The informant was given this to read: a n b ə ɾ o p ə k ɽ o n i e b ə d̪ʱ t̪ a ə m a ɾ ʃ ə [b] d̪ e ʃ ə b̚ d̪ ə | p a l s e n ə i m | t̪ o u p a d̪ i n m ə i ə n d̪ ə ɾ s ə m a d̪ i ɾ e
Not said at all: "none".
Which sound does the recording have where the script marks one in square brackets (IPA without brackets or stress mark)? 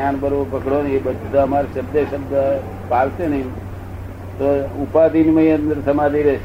b